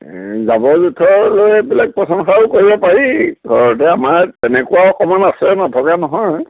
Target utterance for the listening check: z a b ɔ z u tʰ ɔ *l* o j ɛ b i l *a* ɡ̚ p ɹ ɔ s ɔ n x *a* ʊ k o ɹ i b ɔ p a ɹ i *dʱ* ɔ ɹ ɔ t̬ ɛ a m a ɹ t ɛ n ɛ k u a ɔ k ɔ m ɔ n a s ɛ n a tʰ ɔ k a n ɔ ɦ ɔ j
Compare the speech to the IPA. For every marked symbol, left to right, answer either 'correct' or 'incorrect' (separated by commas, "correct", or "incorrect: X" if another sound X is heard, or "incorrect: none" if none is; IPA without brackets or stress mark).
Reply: correct, correct, correct, incorrect: ɡʱ